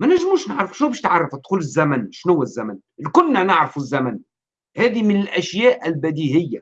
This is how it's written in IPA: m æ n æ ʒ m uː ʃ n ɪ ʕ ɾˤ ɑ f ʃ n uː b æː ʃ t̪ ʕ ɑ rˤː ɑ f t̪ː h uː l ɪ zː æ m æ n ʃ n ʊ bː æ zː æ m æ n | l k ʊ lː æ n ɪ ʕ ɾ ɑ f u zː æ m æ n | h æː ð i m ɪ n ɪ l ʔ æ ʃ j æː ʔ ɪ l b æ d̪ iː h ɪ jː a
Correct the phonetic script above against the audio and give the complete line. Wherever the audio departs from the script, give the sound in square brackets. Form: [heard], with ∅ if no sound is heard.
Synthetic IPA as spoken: m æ n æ ʒ m uː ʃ n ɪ ʕ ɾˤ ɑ f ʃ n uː b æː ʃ t̪ ʕ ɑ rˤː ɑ f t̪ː [x] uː l ɪ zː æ m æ n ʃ n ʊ [wː] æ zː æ m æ n | l k ʊ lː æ n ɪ ʕ ɾ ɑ f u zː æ m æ n | h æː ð i m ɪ n ɪ l ʔ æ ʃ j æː ʔ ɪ l b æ d̪ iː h ɪ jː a